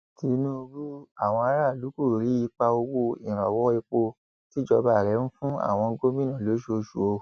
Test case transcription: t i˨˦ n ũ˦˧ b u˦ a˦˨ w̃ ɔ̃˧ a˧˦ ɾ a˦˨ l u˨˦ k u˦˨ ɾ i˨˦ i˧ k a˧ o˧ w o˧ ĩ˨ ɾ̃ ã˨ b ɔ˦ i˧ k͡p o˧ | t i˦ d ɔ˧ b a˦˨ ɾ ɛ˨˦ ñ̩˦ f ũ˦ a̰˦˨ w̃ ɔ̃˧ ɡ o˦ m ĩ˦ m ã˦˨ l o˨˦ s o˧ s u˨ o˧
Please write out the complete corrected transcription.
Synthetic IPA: t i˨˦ n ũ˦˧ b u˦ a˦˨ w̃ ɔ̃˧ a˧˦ ɾ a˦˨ l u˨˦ k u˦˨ ɾ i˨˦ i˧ k͡p a˧ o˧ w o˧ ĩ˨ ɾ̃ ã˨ w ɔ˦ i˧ k͡p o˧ | t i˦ d͡ʒ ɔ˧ b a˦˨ ɾ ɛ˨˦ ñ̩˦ f ũ˦ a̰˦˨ w̃ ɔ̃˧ ɡ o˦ m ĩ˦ n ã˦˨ l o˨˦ ʃ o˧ ʃ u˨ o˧